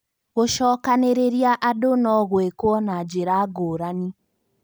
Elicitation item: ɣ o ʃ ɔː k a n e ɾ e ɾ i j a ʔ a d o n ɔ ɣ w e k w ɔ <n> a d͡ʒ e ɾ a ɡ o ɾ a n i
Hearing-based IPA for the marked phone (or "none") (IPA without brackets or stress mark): n